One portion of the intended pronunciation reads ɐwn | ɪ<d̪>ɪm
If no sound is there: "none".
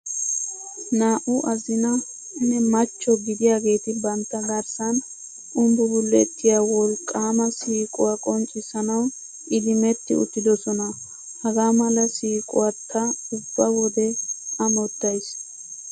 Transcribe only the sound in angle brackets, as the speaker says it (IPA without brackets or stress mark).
d̪